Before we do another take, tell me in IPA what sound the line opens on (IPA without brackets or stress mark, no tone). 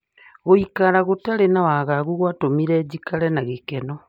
ɣ